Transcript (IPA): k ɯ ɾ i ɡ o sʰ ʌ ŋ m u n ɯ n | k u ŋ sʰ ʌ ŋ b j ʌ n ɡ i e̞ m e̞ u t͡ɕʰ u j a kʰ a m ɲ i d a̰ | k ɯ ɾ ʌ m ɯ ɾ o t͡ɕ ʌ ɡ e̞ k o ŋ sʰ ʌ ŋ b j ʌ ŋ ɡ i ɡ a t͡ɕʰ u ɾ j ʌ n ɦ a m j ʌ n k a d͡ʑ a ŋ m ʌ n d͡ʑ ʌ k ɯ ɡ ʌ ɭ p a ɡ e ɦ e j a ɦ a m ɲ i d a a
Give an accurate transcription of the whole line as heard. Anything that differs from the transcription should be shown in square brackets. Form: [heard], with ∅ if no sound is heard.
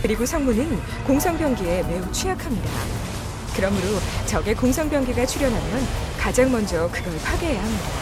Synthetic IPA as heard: k ɯ ɾ i ɡ o sʰ ʌ ŋ m u n ɯ n | k [o] ŋ sʰ ʌ ŋ b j ʌ [ŋ] ɡ i e̞ m e̞ u t͡ɕʰ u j a kʰ a m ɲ i d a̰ | k ɯ ɾ ʌ m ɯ ɾ o t͡ɕ ʌ ɡ e̞ k o ŋ sʰ ʌ ŋ b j ʌ ŋ ɡ i ɡ a t͡ɕʰ u ɾ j ʌ n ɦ a m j ʌ n k a d͡ʑ a ŋ m ʌ n d͡ʑ ʌ k ɯ ɡ ʌ ɭ [pʰ] a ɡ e ɦ e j a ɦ a m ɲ i d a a